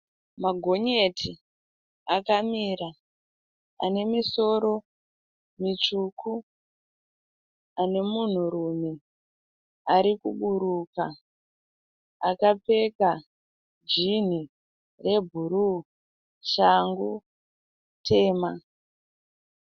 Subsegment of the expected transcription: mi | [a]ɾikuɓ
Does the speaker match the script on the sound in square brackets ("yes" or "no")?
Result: yes